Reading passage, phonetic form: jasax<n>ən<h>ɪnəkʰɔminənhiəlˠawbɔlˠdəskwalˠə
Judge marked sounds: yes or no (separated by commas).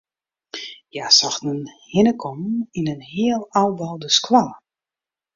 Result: yes, yes